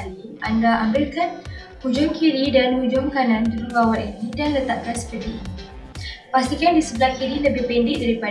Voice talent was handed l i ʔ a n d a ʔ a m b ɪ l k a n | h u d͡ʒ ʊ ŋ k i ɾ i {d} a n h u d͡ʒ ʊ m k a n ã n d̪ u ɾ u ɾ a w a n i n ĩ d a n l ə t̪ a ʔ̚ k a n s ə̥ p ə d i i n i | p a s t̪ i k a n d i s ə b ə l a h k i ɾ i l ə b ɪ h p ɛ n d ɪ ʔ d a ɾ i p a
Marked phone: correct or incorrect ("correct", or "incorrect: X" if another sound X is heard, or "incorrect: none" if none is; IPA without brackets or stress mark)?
correct